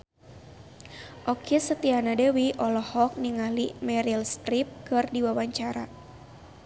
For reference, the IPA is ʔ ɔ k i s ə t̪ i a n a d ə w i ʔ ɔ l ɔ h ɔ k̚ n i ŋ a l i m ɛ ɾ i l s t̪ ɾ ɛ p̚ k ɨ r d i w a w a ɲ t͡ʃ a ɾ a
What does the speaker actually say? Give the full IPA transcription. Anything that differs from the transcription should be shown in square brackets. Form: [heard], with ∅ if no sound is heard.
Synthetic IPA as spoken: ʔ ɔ k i s ə t̪ i a n a d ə w i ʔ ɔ l ɔ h ɔ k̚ n i ŋ a l i m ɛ ɾ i l s t̪ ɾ [i] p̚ k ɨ r d i w a w a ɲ t͡ʃ a ɾ a